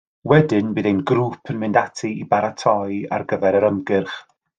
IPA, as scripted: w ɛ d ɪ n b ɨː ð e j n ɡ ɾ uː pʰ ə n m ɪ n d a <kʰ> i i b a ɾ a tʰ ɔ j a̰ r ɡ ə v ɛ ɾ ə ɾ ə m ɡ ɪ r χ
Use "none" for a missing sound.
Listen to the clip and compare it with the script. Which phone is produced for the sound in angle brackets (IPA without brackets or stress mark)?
tʰ